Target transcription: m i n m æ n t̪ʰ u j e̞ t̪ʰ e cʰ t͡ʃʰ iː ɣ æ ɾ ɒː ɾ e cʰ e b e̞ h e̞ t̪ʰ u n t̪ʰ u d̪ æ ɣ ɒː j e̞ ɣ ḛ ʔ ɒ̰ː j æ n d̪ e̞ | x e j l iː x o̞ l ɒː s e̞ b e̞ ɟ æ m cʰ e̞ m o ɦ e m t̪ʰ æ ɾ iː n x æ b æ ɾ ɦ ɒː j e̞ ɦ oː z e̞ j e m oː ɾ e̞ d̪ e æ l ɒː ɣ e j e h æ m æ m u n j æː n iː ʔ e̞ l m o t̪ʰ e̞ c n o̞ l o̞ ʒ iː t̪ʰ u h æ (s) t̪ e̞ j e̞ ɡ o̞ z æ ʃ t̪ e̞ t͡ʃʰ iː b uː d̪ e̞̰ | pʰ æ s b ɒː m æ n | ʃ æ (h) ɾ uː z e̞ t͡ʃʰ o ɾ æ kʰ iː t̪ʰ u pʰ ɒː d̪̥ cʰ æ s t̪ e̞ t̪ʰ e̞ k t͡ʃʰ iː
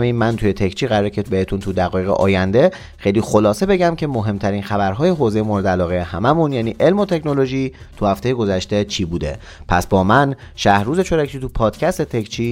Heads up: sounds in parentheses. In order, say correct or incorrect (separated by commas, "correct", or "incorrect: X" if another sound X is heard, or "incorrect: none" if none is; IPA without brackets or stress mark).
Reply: incorrect: f, correct